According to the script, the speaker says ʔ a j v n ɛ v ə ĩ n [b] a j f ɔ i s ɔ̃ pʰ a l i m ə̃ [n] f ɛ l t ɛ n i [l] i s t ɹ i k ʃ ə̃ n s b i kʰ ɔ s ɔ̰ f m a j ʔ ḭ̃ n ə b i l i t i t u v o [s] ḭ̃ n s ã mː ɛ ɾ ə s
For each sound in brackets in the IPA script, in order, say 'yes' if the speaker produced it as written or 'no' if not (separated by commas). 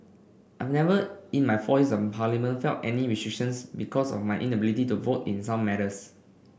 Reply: no, yes, no, no